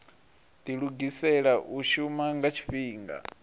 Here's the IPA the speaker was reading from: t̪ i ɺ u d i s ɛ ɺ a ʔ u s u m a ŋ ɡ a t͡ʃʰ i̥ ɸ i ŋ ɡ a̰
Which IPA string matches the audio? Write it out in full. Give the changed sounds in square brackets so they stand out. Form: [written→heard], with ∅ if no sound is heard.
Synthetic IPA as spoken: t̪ i ɺ u [d→ɡ] i s ɛ ɺ a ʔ u [s→ʃ] u m a ŋ ɡ a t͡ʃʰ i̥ ɸ [i→iː] ŋ ɡ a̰